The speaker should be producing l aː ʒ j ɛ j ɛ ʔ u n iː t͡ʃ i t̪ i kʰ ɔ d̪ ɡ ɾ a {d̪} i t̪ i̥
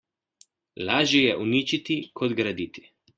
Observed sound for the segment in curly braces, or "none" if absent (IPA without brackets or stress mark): d̪